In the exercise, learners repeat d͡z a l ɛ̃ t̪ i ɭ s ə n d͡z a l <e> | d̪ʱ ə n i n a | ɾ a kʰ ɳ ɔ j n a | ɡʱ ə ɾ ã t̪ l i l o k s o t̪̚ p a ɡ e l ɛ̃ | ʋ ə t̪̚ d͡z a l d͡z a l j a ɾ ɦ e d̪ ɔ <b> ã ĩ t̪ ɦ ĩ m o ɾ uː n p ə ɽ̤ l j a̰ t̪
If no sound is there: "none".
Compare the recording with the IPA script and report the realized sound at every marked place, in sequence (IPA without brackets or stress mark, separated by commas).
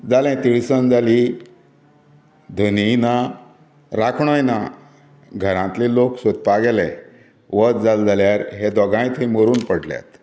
i, ɡ